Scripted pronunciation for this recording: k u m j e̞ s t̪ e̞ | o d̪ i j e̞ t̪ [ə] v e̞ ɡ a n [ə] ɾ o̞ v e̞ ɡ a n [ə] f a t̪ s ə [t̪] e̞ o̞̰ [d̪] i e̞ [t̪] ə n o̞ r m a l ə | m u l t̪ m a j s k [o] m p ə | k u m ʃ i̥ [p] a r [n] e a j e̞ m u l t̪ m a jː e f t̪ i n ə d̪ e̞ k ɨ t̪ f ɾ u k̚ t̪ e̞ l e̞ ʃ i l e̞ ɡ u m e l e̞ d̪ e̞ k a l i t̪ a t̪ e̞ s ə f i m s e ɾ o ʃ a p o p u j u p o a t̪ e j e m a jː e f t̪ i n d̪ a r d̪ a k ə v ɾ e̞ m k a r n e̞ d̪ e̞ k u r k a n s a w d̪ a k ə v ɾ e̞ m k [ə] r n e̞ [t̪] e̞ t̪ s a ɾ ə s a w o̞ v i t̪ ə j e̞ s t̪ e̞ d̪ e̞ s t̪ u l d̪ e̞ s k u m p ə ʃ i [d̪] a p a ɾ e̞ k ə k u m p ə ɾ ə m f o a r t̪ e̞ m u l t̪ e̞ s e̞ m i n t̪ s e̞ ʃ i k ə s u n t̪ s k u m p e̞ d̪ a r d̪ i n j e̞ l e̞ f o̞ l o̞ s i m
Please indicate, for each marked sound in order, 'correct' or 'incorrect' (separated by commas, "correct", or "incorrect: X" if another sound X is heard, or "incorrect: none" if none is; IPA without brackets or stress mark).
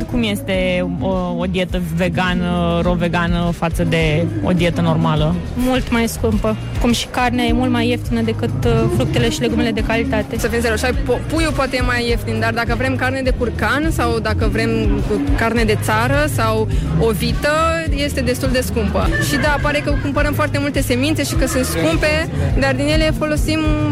correct, correct, correct, incorrect: d̪, correct, correct, incorrect: u, incorrect: k, correct, incorrect: a, incorrect: d̪, correct